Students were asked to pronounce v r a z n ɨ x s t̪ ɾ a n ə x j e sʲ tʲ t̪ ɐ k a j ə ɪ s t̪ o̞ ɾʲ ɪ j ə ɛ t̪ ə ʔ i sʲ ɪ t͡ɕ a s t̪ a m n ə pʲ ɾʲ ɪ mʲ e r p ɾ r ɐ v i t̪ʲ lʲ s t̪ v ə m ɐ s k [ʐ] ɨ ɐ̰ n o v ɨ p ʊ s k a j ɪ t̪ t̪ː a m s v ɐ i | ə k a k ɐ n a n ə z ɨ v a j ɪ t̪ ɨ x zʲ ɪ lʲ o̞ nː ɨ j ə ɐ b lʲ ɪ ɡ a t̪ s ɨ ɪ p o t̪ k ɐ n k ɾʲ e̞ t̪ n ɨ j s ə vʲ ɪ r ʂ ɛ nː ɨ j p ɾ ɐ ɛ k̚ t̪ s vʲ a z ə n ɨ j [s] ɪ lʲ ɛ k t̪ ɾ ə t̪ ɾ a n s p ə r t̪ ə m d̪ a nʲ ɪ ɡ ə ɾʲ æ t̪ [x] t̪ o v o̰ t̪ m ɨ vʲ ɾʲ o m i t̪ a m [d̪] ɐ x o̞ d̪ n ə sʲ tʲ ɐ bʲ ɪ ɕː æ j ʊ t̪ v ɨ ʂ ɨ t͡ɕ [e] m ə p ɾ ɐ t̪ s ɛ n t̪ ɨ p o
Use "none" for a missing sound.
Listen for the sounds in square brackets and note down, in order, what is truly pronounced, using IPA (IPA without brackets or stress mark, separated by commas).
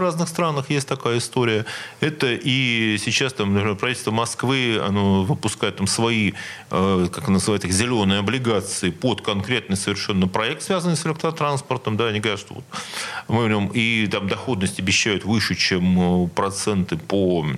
v, s, ʂ, d̪, e